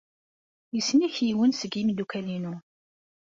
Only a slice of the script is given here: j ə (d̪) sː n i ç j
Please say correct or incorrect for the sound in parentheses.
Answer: incorrect